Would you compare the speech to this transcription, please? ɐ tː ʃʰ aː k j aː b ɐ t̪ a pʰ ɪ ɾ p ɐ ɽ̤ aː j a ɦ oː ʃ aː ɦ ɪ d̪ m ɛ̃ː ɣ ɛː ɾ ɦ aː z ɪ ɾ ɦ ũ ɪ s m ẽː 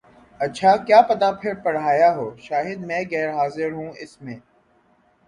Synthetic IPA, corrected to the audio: ɐ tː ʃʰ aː k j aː p ɐ t̪ a pʰ ɪ ɾ p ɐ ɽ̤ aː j a ɦ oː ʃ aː ɦ ɪ d̪ m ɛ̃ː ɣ ɛː ɾ ɦ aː z ɪ ɾ ɦ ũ ɪ s m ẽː

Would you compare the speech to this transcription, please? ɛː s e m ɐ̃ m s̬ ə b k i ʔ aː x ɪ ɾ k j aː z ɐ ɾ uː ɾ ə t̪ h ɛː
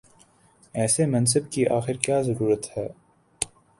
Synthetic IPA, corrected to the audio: ɛː s e m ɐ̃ n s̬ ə b k i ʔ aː x ɪ ɾ k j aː z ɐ ɾ uː ɾ ə t̪ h ɛː

